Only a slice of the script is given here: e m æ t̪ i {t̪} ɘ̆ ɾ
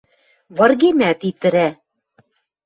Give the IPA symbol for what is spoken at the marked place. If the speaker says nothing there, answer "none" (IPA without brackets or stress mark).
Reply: t̪